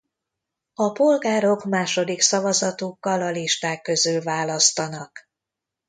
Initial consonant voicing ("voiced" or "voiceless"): voiceless